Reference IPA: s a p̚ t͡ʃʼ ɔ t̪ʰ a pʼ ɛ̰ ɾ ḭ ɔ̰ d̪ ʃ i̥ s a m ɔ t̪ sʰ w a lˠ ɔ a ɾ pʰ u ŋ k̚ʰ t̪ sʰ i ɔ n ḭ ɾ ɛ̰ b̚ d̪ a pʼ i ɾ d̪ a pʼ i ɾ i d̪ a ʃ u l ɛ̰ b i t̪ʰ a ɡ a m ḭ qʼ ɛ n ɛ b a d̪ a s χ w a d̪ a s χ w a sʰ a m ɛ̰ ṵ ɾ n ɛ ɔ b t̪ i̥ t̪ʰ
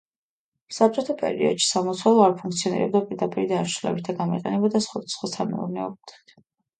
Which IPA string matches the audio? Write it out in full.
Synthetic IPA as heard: s a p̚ t͡ʃʼ ɔ t̪ʰ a pʼ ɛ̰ ɾ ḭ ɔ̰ d̪ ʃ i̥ s a m ɔ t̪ sʰ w a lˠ ɔ a ɾ pʰ u ŋ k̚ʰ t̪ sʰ i ɔ n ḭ ɾ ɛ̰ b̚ d̪ a pʼ i ɾ d̪ a pʼ i ɾ i d̪ a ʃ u l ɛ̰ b i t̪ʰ a ɡ a m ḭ qʼ ɛ n ɛ b a d̪ a s χ w a d̪ a s χ w a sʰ a m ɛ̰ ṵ ɾ n ɛ ɔ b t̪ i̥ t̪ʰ

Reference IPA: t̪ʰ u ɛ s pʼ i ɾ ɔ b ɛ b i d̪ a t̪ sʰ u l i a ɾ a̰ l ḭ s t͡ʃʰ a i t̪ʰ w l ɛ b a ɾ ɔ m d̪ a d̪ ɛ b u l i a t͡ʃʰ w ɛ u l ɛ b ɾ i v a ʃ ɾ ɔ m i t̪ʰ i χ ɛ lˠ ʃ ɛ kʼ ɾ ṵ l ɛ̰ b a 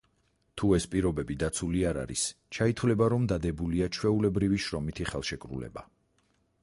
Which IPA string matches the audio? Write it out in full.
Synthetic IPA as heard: t̪ʰ u ɛ s pʼ i ɾ ɔ b ɛ b i d̪ a t̪ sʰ u l i a ɾ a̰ ɾ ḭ s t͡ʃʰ a i t̪ʰ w l ɛ b a ɾ ɔ m d̪ a d̪ ɛ b u l i a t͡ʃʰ w ɛ u l ɛ b ɾ i v i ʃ ɾ ɔ m i t̪ʰ i χ ɛ lˠ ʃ ɛ kʼ ɾ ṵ l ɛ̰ b a

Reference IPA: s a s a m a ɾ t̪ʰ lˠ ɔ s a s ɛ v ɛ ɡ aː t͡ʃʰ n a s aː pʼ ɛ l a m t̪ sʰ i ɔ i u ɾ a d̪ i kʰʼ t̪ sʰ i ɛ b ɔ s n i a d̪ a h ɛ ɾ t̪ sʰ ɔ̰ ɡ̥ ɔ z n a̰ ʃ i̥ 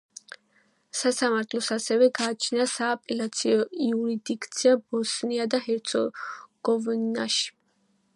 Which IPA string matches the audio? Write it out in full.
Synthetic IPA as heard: s a s a m a ɾ t̪ʰ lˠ ɔ s a s ɛ v ɛ ɡ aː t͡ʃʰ n a s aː pʼ ɛ l a t̪ sʰ i ɔ i u ɾ i d̪ i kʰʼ t̪ sʰ i a b ɔ s n i a d̪ a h ɛ ɾ t̪ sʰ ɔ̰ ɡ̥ ɔ v n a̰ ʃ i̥

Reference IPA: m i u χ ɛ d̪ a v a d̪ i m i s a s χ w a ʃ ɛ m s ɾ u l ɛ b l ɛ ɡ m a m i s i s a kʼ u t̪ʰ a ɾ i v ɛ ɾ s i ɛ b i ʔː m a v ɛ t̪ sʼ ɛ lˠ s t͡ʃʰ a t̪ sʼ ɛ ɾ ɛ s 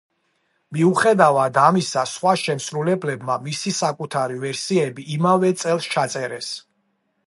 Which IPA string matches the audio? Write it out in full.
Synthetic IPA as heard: m i u χ ɛ d̪ a v a d̪ a m i s a s χ w a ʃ ɛ m s ɾ u l ɛ b l ɛ b m a m i s i s a kʼ u t̪ʰ a ɾ i v ɛ ɾ s i ɛ b i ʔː m a v ɛ t̪ sʼ ɛ lˠ s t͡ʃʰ a t̪ sʼ ɛ ɾ ɛ s

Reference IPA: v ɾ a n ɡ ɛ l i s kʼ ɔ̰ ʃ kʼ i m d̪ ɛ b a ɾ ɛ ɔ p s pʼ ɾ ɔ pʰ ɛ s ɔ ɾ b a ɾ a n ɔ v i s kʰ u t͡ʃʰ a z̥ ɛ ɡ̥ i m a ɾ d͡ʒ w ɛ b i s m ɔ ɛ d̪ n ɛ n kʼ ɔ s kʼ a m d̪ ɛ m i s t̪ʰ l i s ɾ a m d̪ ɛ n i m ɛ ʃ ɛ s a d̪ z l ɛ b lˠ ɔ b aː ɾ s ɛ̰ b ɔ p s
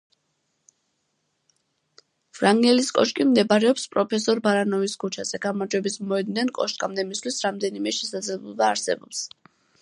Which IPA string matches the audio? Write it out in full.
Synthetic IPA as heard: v ɾ a ŋ ɡ ɛ l i s kʼ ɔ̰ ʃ kʼ i m d̪ ɛ b a ɾ ɛ ɔ p s pʼ ɾ ɔ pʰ ɛ s ɔ ɾ b a ɾ a n ɔ v i s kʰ u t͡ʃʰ a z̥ ɛ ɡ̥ a m a ɾ d͡ʒ w ɛ b i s m ɔ ɛ d̪ n ɛ n kʼ ɔ ʃ kʼ a m d̪ ɛ m i s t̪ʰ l i s ɾ a m d̪ ɛ n i m ɛ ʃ ɛ s a d̪ z l ɛ b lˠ ɔ b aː ɾ s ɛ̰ b ɔ p s

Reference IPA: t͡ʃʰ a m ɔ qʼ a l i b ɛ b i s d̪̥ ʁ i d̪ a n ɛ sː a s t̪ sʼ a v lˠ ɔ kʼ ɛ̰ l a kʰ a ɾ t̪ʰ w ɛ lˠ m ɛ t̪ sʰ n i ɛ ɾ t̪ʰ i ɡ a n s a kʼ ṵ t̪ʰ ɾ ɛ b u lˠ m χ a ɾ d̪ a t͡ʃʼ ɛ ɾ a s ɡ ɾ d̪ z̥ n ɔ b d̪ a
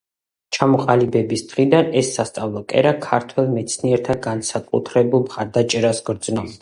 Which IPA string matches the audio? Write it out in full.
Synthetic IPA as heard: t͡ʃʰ a m ɔ qʼ a l i b ɛ b i s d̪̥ ʁ i d̪ a n ɛ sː a s t̪ sʼ a v lˠ ɔ kʼ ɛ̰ ɾ a kʰ a ɾ t̪ʰ w ɛ lˠ m ɛ t̪ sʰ n i ɛ ɾ t̪ʰ a ɡ a n s a kʼ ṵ t̪ʰ ɾ ɛ b u lˠ m χ a ɾ d̪ a t͡ʃʼ ɛ ɾ a s ɡ ɾ d̪ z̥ n ɔ b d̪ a

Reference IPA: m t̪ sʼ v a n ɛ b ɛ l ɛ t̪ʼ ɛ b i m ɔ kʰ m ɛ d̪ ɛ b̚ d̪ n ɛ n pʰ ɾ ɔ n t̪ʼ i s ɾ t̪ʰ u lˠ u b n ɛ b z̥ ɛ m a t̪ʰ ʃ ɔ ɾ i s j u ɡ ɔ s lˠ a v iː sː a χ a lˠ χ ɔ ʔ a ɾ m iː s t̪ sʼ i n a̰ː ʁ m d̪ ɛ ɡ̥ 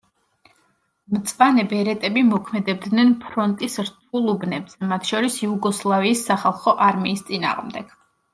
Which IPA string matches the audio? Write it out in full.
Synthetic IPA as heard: m t̪ sʼ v a n ɛ b ɛ ɾ ɛ t̪ʼ ɛ b i m ɔ kʰ m ɛ d̪ ɛ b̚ d̪ n ɛ n pʰ ɾ ɔ n t̪ʼ i s ɾ t̪ʰ u lˠ u b n ɛ b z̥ ɛ m a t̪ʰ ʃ ɔ ɾ i s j u ɡ ɔ s lˠ a v iː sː a χ a lˠ χ ɔ ʔ a ɾ m iː s t̪ sʼ i n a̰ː ʁ m d̪ ɛ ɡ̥

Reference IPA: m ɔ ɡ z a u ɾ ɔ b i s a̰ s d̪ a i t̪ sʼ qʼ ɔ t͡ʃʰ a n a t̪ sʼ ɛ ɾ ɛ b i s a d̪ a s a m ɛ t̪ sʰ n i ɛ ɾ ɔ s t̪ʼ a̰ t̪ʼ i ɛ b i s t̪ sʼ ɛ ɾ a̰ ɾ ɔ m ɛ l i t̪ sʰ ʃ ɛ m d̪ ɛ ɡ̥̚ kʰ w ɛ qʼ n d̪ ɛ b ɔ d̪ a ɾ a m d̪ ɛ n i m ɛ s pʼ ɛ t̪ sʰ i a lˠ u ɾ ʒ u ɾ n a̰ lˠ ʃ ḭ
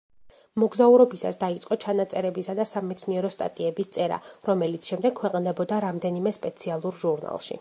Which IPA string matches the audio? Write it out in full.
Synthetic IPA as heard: m ɔ ɡ z a u ɾ ɔ b i s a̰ s d̪ a i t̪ sʼ qʼ ɔ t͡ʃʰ a n a t̪ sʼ ɛ ɾ ɛ b i s a d̪ a s a m ɛ t̪ sʰ n i ɛ ɾ ɔ s t̪ʼ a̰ t̪ʼ i ɛ b i s t̪ sʼ ɛ ɾ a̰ ɾ ɔ m ɛ l i t̪ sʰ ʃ ɛ m d̪ ɛ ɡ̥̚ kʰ w ɛ qʼ n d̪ ɛ b ɔ d̪ a ɾ a m d̪ ɛ n i m ɛ s pʼ ɛ t̪ sʰ i a lˠ u ɾ ʒ u ɾ n a̰ lˠ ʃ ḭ

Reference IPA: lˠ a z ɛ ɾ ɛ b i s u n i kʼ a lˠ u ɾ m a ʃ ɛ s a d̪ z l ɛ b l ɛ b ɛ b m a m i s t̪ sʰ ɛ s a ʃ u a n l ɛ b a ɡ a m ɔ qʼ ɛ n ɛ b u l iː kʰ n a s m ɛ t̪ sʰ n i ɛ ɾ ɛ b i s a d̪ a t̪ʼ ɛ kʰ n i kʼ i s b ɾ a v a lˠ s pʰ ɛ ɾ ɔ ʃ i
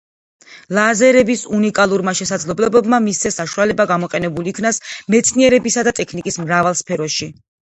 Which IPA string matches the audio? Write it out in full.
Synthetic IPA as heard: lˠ a z ɛ ɾ ɛ b i s u n i kʼ a lˠ u ɾ m a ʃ ɛ s a d̪ z l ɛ b l ɛ b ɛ b m a m i s t̪ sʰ ɛ s a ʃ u a l ɛ b a ɡ a m ɔ qʼ ɛ n ɛ b u l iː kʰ n a s m ɛ t̪ sʰ n i ɛ ɾ ɛ b i s a d̪ a t̪ʼ ɛ kʰ n i kʼ i s m ɾ a v a lˠ s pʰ ɛ ɾ ɔ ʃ i

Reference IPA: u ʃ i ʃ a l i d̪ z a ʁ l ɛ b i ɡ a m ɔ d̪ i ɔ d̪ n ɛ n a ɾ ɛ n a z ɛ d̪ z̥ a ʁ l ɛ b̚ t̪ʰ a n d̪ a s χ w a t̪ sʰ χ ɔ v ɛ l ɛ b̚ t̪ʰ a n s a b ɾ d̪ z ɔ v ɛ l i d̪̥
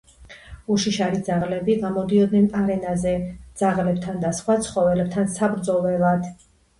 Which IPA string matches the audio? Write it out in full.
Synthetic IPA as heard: u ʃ i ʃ a ɾ i d̪ z a ʁ l ɛ b i ɡ a m ɔ d̪ i ɔ d̪ n ɛ n a ɾ ɛ n a z ɛ d̪ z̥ a ʁ l ɛ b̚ t̪ʰ a n d̪ a s χ w a t̪ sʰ χ ɔ v ɛ l ɛ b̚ t̪ʰ a n s a b ɾ d̪ z ɔ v ɛ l a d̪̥

